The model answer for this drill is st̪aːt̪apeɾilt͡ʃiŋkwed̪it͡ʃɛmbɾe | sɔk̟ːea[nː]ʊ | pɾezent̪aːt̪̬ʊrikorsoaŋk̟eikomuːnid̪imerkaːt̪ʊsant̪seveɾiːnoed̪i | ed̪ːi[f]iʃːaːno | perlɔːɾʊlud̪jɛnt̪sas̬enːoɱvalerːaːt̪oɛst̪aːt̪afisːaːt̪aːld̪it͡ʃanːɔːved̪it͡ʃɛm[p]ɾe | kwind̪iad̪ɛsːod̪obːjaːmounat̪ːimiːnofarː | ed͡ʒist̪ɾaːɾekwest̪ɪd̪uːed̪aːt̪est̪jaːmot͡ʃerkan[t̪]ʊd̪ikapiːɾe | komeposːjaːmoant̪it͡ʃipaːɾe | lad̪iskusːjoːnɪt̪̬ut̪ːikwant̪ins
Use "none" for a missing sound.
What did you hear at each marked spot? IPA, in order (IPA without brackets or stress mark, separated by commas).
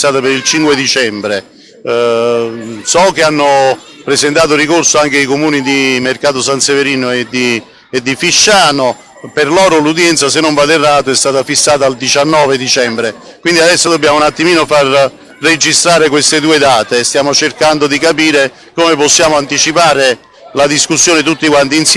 nː, f, b, d̪